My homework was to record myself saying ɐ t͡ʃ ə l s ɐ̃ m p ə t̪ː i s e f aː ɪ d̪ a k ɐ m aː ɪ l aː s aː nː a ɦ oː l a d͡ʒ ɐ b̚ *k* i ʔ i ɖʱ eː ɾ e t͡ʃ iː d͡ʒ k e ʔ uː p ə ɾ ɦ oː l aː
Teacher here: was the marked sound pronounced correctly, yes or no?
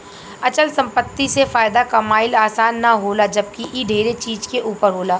yes